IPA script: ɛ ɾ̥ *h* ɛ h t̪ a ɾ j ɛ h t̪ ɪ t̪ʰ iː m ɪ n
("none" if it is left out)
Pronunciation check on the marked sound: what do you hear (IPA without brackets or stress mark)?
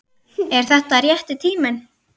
θ